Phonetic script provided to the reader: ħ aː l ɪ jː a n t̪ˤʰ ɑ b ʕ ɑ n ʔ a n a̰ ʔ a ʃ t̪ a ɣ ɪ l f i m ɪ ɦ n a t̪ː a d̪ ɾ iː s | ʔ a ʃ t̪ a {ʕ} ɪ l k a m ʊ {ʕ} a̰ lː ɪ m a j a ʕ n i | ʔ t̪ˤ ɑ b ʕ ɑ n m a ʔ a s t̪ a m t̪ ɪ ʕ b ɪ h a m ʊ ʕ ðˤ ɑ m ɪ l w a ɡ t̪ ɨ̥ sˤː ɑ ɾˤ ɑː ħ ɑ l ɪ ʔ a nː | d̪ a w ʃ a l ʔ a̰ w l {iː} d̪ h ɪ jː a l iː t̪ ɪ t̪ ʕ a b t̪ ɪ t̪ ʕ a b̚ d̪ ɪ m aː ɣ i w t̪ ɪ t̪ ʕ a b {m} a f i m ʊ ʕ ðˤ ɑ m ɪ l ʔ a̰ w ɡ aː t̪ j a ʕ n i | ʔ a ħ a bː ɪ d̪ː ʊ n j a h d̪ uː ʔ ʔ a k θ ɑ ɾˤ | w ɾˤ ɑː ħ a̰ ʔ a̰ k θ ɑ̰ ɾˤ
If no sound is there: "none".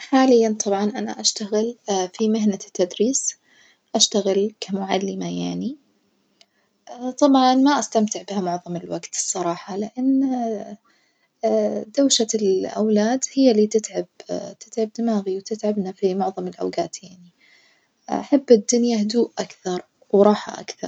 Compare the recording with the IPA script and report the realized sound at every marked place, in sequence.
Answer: ɣ, ʕ, aː, n

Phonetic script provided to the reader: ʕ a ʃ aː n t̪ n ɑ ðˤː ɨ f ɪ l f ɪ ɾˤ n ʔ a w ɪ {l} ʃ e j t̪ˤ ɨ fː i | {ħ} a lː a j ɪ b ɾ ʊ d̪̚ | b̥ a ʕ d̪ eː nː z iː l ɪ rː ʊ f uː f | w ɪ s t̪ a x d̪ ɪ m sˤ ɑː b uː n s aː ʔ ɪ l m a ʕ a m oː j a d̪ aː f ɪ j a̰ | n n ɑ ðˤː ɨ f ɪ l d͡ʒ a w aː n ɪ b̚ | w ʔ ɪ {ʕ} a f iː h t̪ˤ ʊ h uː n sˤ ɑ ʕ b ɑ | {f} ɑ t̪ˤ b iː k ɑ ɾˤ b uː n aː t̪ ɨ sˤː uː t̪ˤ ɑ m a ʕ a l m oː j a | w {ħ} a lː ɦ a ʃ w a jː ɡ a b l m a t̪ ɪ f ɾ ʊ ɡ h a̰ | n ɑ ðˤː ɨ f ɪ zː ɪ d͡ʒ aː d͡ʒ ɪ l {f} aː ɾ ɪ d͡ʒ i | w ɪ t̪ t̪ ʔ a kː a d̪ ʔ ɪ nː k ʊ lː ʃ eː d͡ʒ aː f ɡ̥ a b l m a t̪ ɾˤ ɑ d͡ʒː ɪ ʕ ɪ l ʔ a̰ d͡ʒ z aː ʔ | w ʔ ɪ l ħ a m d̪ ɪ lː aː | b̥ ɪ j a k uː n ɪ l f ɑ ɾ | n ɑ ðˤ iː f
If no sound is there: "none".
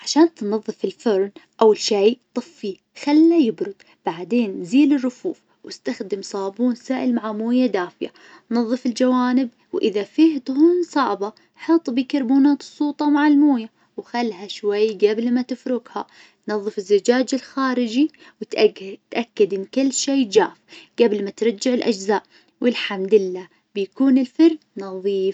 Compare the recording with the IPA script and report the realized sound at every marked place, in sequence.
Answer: l, x, ð, ħ, x, x

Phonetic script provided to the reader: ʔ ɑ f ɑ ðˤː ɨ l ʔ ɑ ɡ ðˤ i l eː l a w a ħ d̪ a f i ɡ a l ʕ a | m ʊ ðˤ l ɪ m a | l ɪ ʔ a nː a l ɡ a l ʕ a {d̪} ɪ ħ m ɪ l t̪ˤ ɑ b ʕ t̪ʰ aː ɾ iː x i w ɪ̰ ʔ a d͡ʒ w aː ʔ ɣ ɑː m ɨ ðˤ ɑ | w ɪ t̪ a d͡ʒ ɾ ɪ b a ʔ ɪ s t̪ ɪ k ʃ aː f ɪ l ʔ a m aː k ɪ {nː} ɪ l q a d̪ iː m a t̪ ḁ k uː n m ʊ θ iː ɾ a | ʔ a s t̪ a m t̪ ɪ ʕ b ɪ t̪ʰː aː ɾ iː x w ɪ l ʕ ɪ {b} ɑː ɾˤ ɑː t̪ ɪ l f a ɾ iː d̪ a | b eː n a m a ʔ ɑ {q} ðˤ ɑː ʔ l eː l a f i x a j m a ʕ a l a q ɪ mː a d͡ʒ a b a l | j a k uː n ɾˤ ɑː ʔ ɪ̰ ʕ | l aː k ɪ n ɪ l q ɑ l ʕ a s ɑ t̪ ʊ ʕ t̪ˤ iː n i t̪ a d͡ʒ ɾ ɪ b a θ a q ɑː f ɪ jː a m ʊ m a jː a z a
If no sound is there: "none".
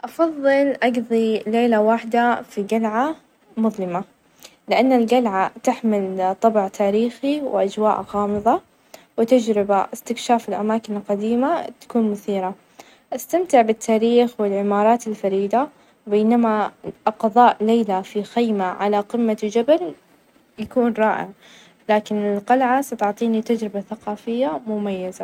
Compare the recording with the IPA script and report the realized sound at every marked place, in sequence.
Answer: t̪, n, m, q

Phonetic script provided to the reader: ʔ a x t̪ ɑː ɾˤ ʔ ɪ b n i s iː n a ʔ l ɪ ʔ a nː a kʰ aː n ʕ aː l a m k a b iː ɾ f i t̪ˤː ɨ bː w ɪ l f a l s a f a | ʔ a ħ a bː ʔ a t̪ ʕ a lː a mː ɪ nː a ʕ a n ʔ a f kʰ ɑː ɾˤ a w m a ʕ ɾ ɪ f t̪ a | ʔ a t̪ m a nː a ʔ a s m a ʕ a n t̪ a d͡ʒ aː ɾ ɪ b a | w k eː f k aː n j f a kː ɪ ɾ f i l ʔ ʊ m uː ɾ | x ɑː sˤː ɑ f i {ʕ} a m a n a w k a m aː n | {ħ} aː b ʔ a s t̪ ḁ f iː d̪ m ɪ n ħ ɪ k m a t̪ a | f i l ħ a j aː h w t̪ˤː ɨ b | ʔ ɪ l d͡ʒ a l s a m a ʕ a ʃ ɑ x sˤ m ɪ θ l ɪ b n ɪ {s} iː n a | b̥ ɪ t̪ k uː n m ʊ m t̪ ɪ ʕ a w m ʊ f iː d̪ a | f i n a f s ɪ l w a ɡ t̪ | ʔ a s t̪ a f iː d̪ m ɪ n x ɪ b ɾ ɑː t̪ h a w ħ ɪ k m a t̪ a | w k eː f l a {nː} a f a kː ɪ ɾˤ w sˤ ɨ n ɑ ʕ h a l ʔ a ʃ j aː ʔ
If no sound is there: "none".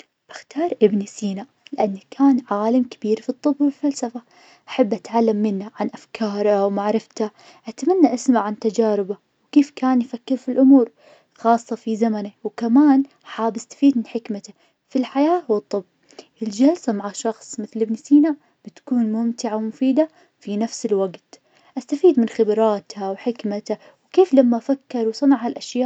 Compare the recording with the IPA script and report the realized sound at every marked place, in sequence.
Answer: z, ħ, s, mː

